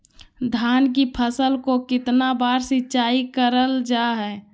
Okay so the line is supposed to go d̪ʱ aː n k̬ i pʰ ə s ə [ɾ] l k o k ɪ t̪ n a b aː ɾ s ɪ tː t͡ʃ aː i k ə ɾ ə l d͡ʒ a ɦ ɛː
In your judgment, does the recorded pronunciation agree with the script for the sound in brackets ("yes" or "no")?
no